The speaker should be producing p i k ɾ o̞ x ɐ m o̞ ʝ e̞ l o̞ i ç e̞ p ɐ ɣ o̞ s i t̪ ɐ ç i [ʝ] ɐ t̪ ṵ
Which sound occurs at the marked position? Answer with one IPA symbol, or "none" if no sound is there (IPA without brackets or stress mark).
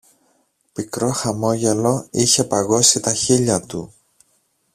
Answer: ʎ